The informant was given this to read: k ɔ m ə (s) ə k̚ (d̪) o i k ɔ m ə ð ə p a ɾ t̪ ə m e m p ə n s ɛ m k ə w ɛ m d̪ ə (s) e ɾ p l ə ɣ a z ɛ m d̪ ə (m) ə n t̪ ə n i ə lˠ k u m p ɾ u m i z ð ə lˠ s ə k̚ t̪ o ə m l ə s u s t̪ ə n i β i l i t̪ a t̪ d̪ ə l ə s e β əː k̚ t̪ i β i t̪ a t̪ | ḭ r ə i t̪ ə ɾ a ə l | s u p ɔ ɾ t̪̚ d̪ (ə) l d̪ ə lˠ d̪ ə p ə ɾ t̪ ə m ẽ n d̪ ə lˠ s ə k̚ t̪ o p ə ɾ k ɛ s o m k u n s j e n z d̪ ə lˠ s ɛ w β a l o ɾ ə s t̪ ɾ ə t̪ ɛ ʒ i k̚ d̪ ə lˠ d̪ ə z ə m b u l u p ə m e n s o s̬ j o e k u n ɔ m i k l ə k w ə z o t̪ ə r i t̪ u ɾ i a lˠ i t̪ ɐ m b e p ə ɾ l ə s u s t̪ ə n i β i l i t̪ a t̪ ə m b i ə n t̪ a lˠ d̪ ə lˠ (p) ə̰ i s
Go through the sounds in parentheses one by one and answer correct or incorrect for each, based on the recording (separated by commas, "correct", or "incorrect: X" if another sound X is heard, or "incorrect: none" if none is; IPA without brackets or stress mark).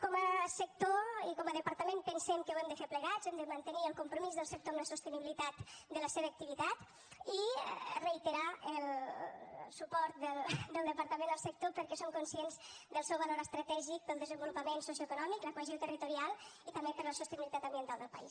correct, incorrect: t̪, incorrect: f, correct, correct, correct